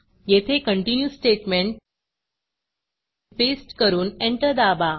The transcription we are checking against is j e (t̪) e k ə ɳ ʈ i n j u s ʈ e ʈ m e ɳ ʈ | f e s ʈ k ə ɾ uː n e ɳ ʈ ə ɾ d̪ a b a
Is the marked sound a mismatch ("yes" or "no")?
yes